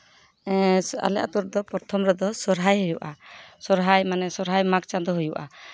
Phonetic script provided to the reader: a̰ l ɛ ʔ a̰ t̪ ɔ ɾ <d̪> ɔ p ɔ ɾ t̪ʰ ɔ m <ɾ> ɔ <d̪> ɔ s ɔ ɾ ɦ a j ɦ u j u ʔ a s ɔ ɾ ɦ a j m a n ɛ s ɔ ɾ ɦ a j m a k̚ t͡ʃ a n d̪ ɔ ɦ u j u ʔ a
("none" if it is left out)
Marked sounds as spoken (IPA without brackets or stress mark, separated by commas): d̪, ɾ, d̪